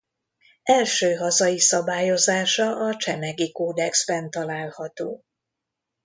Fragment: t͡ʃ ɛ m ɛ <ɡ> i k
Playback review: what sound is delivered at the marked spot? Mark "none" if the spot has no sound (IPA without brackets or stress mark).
ɡ